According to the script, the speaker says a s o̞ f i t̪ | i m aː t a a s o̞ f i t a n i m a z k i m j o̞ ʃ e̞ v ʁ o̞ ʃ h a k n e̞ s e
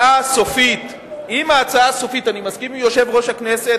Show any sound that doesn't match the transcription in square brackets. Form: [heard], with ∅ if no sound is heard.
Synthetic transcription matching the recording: a s o̞ f i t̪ | i m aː [t͡s] a a s o̞ f i t a n i m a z k i m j o̞ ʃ e̞ v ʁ o̞ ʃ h a k n e̞ s e